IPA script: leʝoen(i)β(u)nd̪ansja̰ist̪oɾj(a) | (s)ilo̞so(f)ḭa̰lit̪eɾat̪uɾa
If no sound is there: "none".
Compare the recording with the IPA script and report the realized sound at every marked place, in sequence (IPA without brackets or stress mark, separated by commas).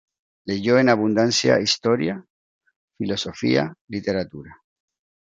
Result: a, u, a, f, f